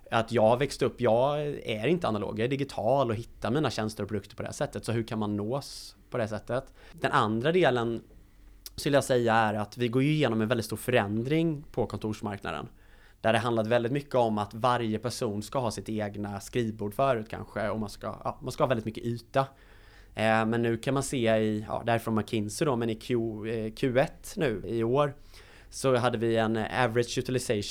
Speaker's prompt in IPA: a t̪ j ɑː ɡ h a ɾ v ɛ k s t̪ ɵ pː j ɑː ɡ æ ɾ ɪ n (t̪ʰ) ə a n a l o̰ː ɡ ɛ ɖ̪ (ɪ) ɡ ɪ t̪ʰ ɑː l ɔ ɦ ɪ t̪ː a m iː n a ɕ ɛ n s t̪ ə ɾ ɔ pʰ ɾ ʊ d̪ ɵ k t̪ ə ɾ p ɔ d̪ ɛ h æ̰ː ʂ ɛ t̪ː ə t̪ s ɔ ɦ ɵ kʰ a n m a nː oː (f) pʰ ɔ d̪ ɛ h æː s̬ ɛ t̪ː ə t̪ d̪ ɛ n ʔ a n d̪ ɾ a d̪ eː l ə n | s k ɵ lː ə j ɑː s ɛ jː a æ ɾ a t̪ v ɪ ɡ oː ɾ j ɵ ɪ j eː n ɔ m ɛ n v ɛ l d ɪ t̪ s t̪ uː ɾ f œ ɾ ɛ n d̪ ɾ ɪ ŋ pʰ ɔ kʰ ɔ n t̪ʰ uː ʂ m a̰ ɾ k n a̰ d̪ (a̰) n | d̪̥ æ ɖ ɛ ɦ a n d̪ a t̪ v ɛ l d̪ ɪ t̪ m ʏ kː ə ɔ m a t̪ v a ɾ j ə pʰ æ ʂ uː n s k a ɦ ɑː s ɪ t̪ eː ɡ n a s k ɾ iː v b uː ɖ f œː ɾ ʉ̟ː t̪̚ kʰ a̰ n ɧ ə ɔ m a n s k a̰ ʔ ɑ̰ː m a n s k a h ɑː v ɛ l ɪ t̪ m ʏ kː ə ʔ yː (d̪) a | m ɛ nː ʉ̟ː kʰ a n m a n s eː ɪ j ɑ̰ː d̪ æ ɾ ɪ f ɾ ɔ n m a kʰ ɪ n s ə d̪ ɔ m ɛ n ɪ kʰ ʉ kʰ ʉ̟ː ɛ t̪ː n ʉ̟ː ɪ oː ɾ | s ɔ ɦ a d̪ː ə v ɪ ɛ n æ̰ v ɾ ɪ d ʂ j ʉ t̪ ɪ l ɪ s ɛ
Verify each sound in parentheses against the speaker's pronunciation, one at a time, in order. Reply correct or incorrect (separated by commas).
incorrect, correct, incorrect, incorrect, incorrect